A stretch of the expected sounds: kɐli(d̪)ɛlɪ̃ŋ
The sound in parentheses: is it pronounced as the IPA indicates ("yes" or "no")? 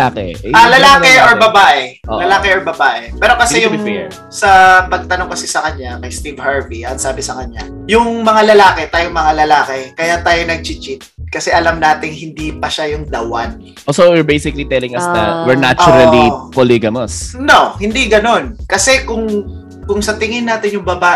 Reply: no